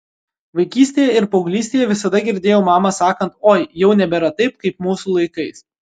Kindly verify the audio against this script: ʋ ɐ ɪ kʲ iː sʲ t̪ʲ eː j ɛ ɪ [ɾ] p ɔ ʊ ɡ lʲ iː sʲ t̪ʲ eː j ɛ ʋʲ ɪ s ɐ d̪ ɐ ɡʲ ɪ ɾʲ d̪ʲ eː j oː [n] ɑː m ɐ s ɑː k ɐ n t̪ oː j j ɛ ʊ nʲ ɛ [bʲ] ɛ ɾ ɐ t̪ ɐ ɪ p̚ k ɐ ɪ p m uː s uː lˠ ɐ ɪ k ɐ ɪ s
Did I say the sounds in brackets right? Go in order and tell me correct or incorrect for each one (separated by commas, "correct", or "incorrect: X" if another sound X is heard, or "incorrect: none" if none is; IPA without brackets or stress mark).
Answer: correct, incorrect: m, correct